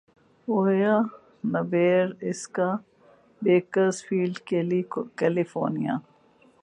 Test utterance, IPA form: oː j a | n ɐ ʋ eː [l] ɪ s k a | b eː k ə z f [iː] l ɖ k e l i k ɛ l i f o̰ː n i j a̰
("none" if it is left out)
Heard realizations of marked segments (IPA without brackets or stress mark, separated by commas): ɾ, iː